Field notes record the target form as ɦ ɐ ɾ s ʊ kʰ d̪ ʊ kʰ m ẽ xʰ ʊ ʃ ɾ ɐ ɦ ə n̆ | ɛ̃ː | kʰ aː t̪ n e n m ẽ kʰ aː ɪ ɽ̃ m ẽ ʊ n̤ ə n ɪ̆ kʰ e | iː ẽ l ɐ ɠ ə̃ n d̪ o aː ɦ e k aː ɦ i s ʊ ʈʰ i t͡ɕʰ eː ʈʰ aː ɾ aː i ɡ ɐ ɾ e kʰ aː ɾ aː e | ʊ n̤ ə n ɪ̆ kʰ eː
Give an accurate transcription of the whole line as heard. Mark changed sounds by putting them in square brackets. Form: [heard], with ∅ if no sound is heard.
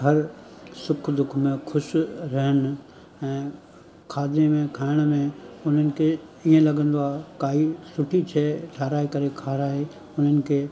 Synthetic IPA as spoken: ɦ ɐ ɾ s ʊ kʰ d̪ ʊ kʰ m ẽ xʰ ʊ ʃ ɾ ɐ ɦ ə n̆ | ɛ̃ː | kʰ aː [d̪] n e [∅] m ẽ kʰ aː ɪ ɽ̃ m ẽ ʊ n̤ ə n ɪ̆ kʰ e | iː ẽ l ɐ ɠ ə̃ n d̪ o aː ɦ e k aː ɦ i s ʊ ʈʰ i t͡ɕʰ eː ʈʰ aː ɾ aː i [k] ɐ ɾ e kʰ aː ɾ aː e | ʊ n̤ ə n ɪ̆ kʰ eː